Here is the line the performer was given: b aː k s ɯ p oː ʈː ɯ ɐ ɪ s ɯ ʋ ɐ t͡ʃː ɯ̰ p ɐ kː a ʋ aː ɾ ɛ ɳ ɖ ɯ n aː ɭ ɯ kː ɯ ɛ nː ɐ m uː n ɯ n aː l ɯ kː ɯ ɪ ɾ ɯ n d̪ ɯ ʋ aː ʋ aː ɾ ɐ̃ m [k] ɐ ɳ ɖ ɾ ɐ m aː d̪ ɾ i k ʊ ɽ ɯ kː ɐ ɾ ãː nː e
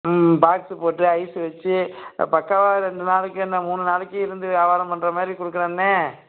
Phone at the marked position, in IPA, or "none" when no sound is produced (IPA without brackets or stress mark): p